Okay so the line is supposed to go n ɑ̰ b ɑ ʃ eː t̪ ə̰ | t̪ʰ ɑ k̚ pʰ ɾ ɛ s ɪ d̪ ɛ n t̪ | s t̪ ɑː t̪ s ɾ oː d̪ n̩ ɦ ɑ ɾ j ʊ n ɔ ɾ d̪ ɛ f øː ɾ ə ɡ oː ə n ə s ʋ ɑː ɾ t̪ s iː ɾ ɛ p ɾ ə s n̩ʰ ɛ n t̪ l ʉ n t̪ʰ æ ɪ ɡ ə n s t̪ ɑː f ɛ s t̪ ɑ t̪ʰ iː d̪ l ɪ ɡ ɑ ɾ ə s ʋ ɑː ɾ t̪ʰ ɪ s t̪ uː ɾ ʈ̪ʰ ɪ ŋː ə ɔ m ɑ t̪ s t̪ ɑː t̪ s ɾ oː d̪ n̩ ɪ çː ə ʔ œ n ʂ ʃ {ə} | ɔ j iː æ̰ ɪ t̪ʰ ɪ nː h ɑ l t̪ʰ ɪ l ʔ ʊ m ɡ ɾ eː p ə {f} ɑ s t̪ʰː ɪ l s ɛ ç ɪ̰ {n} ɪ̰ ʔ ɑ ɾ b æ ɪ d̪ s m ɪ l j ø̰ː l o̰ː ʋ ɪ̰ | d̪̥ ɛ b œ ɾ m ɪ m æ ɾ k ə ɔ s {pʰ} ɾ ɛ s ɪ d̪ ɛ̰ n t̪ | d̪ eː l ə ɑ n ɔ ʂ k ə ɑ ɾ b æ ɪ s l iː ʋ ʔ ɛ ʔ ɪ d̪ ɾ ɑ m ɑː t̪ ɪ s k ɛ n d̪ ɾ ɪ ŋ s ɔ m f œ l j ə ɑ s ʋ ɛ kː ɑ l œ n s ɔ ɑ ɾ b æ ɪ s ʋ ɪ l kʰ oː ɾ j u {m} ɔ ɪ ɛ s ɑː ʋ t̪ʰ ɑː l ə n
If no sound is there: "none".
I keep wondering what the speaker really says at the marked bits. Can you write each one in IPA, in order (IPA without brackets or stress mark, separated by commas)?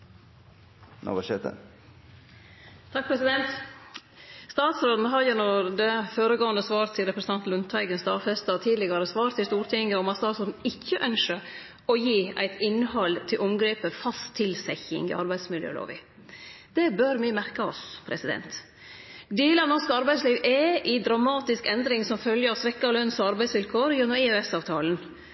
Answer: ə, f, ŋ, pʰ, n